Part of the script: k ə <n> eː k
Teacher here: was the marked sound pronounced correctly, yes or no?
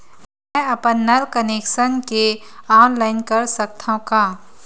yes